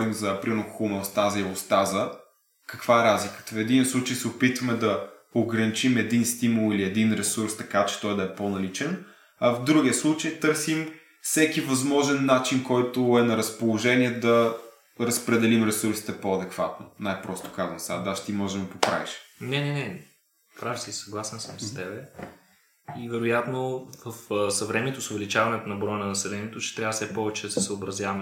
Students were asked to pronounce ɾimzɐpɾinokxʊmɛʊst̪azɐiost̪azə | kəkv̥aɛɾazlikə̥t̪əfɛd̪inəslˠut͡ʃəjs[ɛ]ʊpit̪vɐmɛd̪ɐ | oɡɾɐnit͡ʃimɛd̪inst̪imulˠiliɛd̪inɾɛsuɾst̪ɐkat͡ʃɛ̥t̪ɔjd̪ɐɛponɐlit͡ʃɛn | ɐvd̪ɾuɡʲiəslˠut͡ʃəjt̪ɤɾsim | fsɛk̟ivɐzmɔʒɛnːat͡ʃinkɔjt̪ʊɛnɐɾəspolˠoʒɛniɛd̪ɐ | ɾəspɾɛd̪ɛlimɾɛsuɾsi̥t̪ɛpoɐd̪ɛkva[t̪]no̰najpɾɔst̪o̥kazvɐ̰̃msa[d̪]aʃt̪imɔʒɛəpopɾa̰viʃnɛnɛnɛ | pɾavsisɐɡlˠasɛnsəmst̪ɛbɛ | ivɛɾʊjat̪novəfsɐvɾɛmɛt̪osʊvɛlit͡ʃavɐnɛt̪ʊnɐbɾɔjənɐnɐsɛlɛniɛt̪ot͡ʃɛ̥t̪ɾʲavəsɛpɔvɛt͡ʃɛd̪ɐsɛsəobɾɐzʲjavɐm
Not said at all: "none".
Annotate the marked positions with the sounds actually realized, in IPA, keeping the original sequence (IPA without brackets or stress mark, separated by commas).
ɛ, t̪, d̪